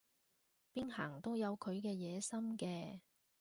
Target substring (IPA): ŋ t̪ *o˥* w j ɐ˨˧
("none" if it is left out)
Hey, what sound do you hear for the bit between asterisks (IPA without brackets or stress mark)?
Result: o˥